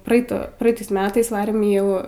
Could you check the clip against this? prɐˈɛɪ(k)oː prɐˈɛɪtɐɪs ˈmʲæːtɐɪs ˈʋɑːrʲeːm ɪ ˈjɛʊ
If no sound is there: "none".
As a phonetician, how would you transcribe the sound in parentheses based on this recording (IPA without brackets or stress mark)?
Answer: t